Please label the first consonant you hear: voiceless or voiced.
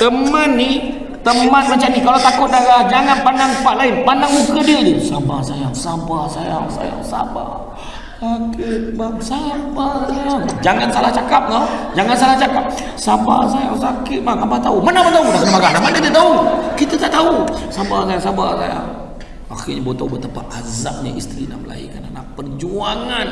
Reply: voiceless